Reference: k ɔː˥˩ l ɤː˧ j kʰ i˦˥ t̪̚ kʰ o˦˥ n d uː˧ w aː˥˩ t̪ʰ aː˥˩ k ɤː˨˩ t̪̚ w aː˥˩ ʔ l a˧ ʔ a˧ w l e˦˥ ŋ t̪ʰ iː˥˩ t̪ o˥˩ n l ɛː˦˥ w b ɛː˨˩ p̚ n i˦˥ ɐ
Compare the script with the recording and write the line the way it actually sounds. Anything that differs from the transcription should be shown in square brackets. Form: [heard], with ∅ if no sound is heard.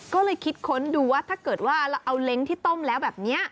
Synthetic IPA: k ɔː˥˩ l ɤː˧ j kʰ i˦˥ t̪̚ kʰ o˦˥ n d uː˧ w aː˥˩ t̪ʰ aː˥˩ k ɤː˨˩ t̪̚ w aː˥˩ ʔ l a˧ ʔ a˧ w l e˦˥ ŋ t̪ʰ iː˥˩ t̪ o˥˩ [m] l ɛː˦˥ w b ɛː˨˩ p̚ n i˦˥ ɐ